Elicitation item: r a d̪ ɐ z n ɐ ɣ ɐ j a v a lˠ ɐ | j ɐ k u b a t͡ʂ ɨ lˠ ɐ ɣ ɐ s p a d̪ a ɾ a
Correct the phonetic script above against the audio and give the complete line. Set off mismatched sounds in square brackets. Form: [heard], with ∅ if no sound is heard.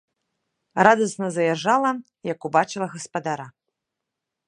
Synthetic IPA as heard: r a d̪ ɐ [s] n ɐ [z] ɐ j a [ʐ] a lˠ ɐ | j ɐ k u b a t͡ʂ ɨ lˠ ɐ ɣ ɐ s p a d̪ a ɾ a